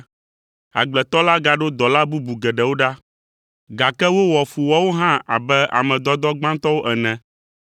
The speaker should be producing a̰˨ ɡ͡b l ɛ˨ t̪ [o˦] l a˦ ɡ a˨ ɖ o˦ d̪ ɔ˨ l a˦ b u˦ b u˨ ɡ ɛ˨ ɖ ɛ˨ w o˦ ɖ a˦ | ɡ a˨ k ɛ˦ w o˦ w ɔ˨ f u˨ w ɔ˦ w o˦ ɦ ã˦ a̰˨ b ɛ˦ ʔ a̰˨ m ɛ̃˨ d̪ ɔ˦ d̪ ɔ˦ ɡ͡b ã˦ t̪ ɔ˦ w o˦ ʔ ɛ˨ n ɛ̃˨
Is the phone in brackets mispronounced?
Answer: yes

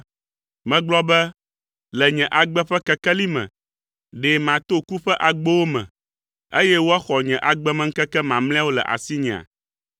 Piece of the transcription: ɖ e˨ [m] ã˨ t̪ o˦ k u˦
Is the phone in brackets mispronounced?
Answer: no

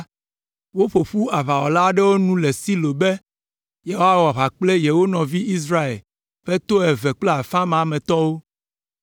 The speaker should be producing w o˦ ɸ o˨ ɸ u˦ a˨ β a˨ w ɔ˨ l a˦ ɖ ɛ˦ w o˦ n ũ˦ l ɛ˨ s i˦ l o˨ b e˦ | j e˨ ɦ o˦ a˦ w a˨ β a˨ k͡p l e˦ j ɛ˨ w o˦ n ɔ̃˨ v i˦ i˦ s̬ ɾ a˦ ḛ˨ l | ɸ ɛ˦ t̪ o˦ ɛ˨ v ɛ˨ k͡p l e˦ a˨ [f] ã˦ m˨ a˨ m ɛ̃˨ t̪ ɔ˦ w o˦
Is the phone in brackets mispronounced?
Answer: no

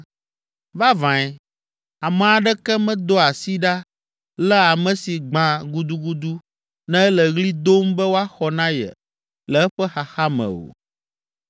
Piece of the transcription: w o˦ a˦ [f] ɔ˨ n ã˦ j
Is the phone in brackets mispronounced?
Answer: yes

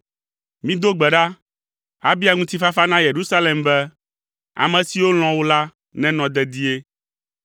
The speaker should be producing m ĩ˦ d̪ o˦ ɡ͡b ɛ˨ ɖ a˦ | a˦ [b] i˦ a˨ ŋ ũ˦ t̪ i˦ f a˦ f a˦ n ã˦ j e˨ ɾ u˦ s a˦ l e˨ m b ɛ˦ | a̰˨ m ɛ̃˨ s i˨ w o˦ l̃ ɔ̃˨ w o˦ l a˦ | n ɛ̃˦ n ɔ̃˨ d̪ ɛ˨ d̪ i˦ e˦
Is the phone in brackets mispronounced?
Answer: no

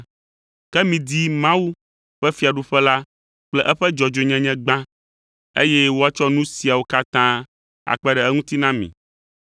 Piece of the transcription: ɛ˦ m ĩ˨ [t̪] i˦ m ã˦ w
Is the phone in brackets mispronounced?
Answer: yes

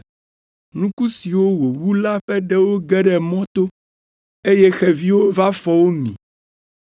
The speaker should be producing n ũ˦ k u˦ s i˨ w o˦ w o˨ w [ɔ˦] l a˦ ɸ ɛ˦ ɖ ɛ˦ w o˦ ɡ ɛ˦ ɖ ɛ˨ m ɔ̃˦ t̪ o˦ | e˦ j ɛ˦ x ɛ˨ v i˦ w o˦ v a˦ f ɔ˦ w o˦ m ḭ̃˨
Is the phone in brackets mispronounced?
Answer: yes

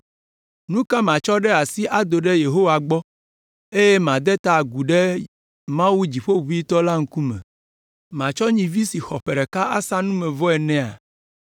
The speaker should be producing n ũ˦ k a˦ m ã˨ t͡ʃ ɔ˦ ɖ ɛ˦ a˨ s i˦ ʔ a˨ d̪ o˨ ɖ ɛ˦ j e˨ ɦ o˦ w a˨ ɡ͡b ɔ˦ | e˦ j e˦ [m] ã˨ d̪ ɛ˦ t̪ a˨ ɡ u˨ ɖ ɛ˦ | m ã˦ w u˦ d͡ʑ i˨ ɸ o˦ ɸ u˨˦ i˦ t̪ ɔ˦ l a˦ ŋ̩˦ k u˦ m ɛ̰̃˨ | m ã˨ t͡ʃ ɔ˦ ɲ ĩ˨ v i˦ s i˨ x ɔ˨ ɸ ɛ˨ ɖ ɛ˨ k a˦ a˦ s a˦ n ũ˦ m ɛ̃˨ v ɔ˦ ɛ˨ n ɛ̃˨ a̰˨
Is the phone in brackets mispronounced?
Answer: no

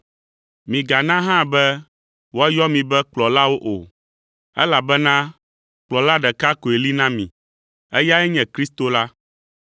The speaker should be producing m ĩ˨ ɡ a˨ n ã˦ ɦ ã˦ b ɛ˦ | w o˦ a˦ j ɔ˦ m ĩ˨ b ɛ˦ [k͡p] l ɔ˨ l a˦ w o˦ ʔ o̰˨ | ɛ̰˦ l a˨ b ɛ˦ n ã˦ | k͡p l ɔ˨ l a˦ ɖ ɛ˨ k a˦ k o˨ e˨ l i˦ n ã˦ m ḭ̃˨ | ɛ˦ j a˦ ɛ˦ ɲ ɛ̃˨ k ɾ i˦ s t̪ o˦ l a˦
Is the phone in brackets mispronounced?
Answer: no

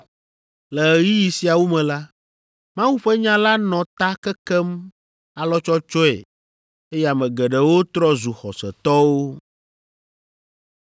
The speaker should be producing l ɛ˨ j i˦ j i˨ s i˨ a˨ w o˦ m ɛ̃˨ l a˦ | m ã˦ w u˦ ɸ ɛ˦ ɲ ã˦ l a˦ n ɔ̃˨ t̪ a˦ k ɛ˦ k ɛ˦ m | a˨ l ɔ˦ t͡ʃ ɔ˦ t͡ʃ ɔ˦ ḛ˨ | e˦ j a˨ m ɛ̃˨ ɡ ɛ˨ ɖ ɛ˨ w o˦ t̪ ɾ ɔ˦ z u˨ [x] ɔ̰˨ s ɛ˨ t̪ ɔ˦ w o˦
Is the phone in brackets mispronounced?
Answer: no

